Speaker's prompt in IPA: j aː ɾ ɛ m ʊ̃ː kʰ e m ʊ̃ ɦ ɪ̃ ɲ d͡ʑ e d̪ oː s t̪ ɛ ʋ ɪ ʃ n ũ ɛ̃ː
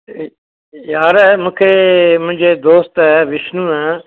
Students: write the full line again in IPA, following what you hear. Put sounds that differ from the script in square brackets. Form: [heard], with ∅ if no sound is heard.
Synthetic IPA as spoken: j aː ɾ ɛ m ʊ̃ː kʰ e m ʊ̃ ɦ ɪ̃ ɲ d͡ʑ e d̪ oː s t̪ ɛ ʋ ɪ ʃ n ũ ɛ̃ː